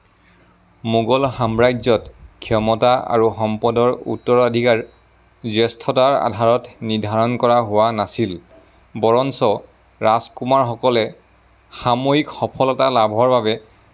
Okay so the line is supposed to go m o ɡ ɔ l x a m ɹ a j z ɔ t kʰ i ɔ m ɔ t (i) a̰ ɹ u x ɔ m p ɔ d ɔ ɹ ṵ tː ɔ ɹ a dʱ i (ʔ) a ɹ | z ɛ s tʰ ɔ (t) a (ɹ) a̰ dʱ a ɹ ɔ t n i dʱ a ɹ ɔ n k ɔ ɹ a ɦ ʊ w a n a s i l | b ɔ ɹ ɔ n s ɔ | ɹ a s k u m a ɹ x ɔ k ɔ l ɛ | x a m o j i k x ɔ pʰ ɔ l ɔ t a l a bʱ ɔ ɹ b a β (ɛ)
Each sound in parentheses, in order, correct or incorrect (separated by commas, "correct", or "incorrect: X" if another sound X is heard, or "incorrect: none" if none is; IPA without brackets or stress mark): incorrect: a, incorrect: k, correct, correct, correct